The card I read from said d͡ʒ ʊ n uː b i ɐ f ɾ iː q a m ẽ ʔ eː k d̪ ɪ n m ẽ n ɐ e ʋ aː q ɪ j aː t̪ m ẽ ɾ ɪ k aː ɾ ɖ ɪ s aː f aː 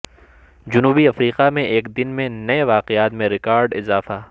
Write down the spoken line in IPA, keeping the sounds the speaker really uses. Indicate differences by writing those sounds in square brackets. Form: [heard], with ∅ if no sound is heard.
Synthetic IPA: d͡ʒ ʊ n uː b i ɐ f ɾ iː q a m ẽ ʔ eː k d̪ ɪ n m ẽ n ɐ e ʋ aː q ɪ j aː t̪ m ẽ ɾ ɪ k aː ɾ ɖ ɪ [z] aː f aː